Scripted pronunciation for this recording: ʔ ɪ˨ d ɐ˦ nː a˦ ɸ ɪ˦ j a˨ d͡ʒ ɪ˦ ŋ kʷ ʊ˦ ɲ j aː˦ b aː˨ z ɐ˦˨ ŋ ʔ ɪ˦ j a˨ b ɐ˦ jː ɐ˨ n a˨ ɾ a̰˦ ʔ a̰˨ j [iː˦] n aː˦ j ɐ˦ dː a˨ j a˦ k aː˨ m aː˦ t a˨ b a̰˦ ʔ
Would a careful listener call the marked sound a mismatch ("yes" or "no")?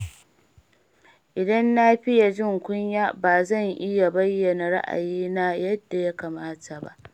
no